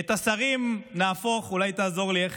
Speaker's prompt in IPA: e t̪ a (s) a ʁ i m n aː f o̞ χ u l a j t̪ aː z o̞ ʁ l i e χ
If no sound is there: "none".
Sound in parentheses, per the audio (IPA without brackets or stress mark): s